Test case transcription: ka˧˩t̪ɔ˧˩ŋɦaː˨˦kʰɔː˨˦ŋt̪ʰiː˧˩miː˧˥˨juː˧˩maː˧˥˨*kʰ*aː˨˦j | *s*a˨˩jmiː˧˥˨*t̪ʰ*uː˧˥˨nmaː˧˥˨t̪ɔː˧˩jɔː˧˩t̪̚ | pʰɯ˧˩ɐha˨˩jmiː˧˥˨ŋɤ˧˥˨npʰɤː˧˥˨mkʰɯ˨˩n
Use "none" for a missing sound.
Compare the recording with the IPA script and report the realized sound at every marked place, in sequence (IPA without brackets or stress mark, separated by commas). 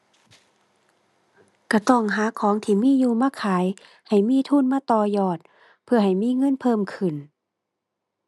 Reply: kʰ, h, t̪ʰ